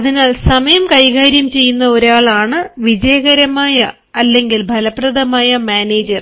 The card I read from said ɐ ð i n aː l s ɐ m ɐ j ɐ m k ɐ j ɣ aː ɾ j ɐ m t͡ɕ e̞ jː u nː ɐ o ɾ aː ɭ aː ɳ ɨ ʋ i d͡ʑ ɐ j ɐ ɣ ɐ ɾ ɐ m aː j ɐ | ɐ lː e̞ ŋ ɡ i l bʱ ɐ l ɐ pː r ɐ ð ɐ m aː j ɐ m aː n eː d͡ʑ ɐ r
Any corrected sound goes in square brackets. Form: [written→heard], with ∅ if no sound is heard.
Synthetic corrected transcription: ɐ ð i n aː l s ɐ m ɐ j ɐ m k ɐ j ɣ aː ɾ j ɐ m t͡ɕ e̞ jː u nː ɐ o ɾ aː ɭ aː ɳ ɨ ʋ i d͡ʑ ɐ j ɐ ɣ ɐ ɾ ɐ m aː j ɐ | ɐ lː e̞ ŋ ɡ i l bʱ ɐ l ɐ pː r ɐ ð ɐ m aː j ɐ m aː n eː d͡ʑ ɐ r

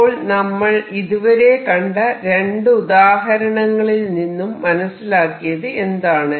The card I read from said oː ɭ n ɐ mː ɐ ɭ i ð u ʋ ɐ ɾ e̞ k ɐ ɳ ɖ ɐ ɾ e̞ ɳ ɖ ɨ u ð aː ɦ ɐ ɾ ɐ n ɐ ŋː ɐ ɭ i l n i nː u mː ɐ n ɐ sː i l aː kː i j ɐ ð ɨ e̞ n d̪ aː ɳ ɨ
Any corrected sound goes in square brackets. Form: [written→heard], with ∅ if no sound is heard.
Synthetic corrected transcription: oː ɭ n ɐ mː ɐ ɭ i ð u ʋ ɐ ɾ e̞ k ɐ ɳ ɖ ɐ ɾ e̞ ɳ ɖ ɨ u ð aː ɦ ɐ ɾ ɐ [n→ɳ] ɐ ŋː ɐ ɭ i l n i nː u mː ɐ n ɐ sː i l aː kː i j ɐ ð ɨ e̞ n d̪ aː ɳ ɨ

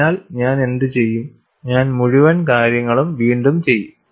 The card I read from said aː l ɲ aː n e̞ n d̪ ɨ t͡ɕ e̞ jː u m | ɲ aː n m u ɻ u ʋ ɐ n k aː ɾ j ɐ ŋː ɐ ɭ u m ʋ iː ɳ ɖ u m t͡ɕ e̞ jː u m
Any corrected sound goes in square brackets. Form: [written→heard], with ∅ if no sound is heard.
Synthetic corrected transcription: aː l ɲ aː n e̞ n d̪ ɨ t͡ɕ e̞ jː u m | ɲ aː n m u ɻ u ʋ ɐ n k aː ɾ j ɐ ŋː ɐ ɭ u m ʋ iː ɳ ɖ u m t͡ɕ e̞ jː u m

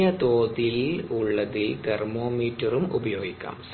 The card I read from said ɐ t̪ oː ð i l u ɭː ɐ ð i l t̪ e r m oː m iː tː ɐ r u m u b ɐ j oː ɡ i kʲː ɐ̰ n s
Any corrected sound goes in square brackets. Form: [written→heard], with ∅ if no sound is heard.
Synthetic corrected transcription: ɐ t̪ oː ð i l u ɭː ɐ ð i l t̪ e r m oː m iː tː ɐ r u m u b ɐ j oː ɡ i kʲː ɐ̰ [n→m] s

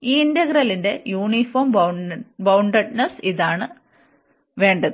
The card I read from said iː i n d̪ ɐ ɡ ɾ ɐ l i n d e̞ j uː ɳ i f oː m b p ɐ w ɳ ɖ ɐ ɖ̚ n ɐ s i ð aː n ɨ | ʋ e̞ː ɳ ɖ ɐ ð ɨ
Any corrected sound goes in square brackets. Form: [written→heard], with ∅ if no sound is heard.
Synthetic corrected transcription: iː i n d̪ ɐ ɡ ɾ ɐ l i n d e̞ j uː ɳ i f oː m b [p→b] ɐ w ɳ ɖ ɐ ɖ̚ n ɐ s i ð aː [n→ɳ] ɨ | ʋ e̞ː ɳ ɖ ɐ ð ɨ

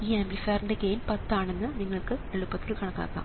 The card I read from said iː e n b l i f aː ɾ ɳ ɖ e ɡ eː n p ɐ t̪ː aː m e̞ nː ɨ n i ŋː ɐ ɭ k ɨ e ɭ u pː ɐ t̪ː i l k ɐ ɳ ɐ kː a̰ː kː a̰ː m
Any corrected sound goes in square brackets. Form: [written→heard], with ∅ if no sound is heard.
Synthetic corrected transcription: iː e [n→m] b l i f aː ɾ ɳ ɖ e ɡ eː n p ɐ t̪ː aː [m→ɳ] e̞ nː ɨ n i ŋː ɐ ɭ k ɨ e ɭ u pː ɐ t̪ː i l k ɐ ɳ ɐ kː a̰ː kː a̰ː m

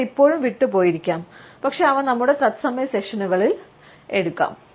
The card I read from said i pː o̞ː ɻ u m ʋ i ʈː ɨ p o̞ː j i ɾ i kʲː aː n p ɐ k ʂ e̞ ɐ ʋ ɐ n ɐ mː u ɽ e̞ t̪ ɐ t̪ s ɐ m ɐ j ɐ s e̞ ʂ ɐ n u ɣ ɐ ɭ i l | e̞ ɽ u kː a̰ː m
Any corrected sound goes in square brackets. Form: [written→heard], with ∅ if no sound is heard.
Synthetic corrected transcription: i pː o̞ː ɻ u m ʋ i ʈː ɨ p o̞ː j i ɾ i kʲː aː [n→m] p ɐ k ʂ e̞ ɐ ʋ ɐ n ɐ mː u ɽ e̞ t̪ ɐ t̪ s ɐ m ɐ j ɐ s e̞ ʂ ɐ n u ɣ ɐ ɭ i l | e̞ ɽ u kː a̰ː m

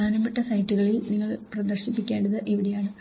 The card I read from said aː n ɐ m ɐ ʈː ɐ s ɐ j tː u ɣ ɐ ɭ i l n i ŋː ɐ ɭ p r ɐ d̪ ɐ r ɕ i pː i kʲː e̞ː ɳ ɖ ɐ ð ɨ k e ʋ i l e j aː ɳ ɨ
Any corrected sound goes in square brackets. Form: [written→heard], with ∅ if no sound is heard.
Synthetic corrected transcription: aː n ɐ m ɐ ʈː ɐ s ɐ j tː u ɣ ɐ ɭ i l n i ŋː ɐ ɭ p r ɐ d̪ ɐ r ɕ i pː i kʲː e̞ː ɳ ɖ ɐ ð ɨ [k→ʔ] e ʋ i [l→ɽ] e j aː ɳ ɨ

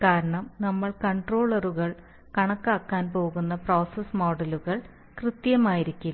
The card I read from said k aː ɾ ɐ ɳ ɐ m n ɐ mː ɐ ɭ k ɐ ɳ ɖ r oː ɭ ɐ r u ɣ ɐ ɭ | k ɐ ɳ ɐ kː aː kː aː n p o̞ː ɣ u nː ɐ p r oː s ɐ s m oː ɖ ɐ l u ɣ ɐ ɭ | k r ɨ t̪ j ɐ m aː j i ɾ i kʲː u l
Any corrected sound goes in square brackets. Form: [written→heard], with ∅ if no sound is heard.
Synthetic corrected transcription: k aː ɾ ɐ ɳ ɐ m n ɐ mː ɐ ɭ k ɐ ɳ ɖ r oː ɭ ɐ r u ɣ ɐ ɭ | k ɐ ɳ ɐ kː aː kː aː n p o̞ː ɣ u nː ɐ p r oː s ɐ s m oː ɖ ɐ l u ɣ ɐ ɭ | k r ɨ t̪ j ɐ m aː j i ɾ i kʲː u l

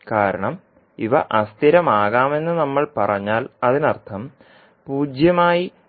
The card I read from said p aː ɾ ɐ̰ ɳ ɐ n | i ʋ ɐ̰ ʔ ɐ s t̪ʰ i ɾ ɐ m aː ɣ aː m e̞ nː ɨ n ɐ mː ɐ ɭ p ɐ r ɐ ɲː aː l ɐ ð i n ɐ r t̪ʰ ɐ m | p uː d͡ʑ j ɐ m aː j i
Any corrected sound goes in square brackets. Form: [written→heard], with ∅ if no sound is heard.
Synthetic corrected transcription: [p→k] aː ɾ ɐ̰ ɳ ɐ [n→m] | i ʋ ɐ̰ ʔ ɐ s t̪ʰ i ɾ ɐ m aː ɣ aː m e̞ nː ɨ n ɐ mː ɐ ɭ p ɐ r ɐ ɲː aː l ɐ ð i n ɐ r t̪ʰ ɐ m | p uː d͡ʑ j ɐ m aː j i

